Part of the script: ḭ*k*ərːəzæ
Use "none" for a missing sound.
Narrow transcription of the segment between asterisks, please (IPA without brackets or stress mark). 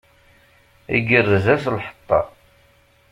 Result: ɡ